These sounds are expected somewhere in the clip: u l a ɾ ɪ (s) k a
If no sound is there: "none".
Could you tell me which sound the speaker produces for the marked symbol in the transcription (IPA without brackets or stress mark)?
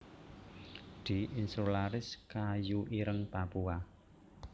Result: s